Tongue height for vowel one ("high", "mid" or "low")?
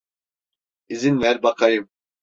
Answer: high